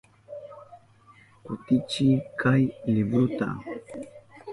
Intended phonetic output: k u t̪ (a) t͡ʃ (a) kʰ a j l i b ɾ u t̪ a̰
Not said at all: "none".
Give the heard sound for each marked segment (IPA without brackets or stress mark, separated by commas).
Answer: i, i